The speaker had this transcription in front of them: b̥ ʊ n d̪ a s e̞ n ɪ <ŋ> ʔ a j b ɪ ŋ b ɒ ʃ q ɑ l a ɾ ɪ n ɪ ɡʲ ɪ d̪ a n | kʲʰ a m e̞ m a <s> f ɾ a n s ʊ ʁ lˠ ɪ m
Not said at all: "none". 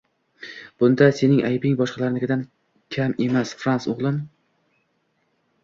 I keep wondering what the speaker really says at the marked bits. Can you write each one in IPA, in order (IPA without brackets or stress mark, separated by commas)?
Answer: ŋ, s